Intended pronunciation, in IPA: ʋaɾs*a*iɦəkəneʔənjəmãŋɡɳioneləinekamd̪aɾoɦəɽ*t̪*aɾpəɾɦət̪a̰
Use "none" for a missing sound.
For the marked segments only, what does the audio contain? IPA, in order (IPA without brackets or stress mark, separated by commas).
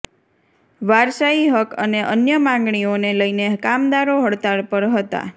a, t̪